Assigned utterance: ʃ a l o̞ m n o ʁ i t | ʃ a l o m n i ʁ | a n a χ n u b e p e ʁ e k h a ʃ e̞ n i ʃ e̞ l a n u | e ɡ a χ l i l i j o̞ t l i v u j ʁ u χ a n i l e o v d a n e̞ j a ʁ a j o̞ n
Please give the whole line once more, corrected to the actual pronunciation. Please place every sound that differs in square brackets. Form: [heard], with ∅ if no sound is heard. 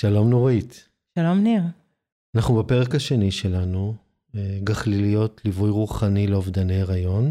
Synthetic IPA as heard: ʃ a l o̞ m n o ʁ i t | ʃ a l o m n i ʁ | a n a χ n u b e p e ʁ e k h a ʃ e̞ n i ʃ e̞ l a n u | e ɡ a χ l i l i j o̞ t l i v u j ʁ u χ a n i l e o v d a n e̞ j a ʁ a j o̞ n